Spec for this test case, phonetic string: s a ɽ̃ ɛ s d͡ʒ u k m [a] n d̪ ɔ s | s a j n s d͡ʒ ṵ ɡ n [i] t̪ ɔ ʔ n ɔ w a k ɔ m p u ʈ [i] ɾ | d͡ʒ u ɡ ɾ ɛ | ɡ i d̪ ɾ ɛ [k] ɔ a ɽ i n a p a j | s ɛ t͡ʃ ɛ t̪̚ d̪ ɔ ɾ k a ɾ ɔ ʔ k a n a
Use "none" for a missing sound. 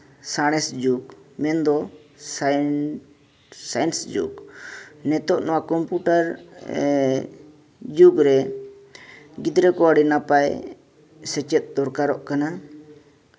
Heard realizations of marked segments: ɛ, ɛ, a, k

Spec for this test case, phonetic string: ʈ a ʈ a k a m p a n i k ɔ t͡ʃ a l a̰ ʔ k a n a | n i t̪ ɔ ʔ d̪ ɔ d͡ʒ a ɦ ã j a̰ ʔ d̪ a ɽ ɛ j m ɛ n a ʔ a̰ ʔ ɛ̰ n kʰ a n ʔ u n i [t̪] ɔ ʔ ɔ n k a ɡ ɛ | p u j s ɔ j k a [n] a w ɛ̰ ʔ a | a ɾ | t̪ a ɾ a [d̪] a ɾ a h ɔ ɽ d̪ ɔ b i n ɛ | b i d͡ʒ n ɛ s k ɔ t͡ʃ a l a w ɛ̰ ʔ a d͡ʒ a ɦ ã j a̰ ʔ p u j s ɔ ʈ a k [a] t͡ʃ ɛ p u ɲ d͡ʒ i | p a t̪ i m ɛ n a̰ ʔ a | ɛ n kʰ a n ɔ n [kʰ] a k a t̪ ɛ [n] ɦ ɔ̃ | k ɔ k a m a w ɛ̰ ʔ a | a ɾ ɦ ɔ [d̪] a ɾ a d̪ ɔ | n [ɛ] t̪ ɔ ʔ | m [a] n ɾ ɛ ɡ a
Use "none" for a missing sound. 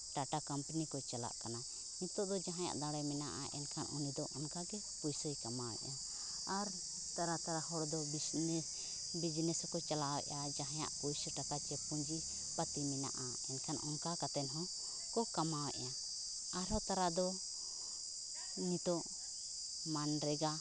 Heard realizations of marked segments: d̪, m, t̪, a, k, n, t̪, i, a

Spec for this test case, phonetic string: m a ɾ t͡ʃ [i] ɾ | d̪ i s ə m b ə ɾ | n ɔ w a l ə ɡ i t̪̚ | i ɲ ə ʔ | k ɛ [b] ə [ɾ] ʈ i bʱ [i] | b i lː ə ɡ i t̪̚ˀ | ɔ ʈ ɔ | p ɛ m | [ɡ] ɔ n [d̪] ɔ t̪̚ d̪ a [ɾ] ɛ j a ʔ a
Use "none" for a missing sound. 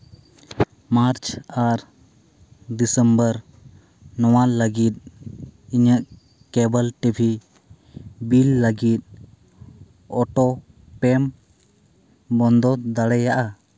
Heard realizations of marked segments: a, b, l, i, b, d̪, ɽ

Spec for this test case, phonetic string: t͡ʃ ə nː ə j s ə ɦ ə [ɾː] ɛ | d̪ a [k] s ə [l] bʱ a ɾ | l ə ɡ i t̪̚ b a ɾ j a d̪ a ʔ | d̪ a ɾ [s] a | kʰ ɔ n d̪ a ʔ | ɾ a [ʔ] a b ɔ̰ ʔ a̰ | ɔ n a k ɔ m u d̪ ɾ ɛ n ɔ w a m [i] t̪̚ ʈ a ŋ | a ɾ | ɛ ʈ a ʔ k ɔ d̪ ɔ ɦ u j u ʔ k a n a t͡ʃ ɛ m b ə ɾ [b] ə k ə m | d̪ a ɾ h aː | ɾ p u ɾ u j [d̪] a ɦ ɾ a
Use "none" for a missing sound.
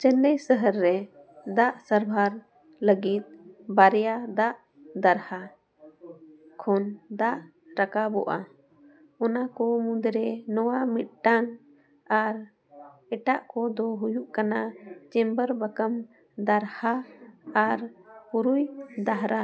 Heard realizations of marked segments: ɾː, ʔ, ɾ, h, k, i, b, d̪

